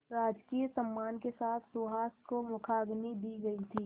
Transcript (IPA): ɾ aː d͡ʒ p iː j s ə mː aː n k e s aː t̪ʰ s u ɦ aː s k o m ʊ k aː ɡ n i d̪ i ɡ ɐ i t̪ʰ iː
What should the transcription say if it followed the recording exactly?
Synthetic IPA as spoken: ɾ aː d͡ʒ k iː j s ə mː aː n k e s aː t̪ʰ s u ɦ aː s k o m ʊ kʰ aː ɡ n i d̪ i ɡ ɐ i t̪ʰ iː